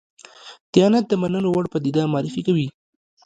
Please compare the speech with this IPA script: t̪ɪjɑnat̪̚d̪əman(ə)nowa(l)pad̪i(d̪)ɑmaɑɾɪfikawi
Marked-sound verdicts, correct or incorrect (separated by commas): correct, incorrect, correct